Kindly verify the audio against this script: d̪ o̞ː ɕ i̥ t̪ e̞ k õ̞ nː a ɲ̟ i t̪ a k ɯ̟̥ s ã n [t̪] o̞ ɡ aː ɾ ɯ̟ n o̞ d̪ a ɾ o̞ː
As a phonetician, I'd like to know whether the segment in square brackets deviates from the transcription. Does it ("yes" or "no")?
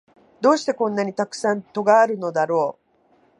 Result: no